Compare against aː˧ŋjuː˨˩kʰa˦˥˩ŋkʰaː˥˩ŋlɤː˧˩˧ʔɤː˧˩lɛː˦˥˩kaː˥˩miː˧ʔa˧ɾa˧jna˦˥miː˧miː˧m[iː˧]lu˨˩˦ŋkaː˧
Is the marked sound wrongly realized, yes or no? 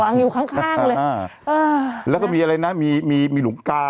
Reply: no